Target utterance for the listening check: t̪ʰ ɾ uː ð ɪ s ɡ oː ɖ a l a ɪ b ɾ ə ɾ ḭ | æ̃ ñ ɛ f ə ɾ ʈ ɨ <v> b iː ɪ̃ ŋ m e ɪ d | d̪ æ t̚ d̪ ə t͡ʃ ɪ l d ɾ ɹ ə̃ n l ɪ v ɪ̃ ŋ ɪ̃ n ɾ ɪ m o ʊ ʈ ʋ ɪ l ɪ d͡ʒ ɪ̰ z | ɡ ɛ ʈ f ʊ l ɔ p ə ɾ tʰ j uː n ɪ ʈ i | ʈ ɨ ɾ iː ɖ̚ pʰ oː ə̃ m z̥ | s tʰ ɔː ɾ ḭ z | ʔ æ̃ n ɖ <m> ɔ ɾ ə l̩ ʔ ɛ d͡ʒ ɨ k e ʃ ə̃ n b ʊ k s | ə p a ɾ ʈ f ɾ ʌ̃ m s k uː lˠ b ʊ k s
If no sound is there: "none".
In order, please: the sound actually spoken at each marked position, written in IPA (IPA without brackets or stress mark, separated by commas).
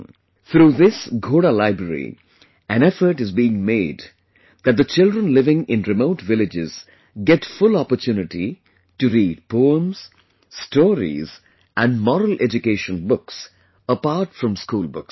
z, m